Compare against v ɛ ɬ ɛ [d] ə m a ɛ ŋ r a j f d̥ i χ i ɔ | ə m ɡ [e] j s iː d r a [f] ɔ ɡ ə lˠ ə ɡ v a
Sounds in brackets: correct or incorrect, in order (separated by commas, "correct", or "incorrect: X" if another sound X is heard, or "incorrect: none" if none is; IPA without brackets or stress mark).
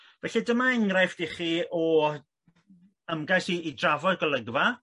correct, incorrect: a, incorrect: v